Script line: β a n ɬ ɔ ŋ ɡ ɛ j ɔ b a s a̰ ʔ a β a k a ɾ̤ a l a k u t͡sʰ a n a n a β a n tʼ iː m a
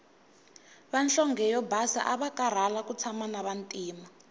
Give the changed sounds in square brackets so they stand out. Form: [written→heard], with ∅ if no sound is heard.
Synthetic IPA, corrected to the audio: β a n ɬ ɔ ŋ ɡ ɛ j ɔ b a s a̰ ʔ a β a k a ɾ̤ a l a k u t͡sʰ a [n→m] a n a β a n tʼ iː m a